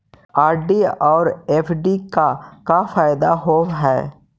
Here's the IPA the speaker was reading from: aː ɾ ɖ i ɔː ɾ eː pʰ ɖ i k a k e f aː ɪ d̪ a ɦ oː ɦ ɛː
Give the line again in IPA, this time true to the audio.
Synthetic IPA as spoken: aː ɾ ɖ i ɔː ɾ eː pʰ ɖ i k a k a f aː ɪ d̪ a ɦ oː ɦ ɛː